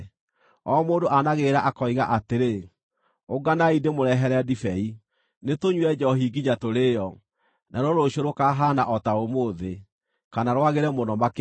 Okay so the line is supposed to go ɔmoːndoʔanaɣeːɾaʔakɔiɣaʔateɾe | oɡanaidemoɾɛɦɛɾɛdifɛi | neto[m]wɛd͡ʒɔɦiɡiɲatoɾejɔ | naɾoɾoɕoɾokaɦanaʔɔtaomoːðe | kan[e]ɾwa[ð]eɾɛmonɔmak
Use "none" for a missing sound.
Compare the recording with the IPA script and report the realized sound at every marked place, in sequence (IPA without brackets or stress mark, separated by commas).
ɲ, a, ɣ